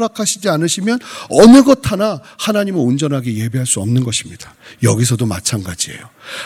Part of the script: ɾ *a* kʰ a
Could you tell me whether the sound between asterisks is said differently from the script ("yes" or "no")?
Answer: no